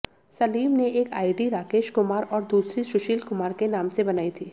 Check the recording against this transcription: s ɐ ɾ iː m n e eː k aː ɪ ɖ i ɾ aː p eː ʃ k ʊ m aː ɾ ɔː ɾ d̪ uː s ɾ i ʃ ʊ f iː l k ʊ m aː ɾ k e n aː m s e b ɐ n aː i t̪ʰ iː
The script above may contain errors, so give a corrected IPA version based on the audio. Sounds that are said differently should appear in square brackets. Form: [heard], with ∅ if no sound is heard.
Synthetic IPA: s ɐ [l] iː m n e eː k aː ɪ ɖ i ɾ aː [k] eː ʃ k ʊ m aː ɾ ɔː ɾ d̪ uː s ɾ i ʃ ʊ [ʃ] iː l k ʊ m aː ɾ k e n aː m s e b ɐ n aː i t̪ʰ iː